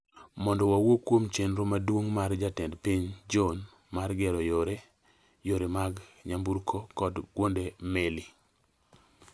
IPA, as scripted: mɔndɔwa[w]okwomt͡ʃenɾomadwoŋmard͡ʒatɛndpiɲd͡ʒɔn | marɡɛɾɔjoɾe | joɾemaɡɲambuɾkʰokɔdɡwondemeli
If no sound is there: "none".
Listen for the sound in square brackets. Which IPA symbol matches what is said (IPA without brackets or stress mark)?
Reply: w